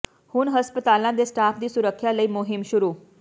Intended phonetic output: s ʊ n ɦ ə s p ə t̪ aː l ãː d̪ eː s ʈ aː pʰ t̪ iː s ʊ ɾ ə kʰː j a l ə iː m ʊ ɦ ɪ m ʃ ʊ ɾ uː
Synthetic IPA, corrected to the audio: h ʊ n ɦ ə s p ə t̪ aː l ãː d̪ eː s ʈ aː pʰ d̪ iː s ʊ ɾ ə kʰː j a l ə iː m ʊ ɦ ɪ m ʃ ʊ ɾ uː